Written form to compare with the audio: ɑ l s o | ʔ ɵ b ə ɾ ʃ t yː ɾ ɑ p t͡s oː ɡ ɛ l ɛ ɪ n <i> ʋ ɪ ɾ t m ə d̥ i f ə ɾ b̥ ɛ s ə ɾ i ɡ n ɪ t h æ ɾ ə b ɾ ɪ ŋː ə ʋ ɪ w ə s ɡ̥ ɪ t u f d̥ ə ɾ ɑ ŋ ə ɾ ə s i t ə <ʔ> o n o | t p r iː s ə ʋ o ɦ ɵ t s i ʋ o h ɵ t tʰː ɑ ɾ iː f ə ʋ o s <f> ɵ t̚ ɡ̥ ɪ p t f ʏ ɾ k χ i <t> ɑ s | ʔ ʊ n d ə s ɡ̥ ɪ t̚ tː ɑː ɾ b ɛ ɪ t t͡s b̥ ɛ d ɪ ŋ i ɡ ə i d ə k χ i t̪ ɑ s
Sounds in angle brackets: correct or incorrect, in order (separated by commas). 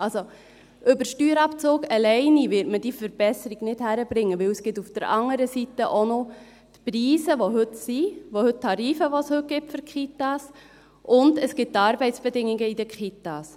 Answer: correct, correct, incorrect, correct